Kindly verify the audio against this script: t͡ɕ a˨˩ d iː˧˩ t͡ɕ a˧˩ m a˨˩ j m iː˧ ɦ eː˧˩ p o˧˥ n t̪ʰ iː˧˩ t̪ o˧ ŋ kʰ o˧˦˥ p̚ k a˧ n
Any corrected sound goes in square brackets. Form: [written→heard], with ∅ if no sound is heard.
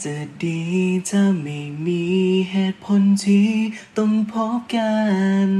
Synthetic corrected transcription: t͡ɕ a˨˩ d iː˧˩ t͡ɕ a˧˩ m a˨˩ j m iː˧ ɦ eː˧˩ [p→pʰ] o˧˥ n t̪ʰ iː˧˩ t̪ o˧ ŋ [kʰ→pʰ] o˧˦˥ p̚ k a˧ n